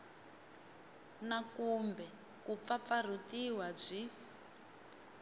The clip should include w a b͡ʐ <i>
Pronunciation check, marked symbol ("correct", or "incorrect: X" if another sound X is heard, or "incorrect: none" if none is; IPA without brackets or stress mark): correct